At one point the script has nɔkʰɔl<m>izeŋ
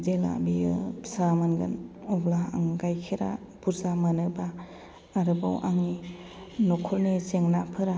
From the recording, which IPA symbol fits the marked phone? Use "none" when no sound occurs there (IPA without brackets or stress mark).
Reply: n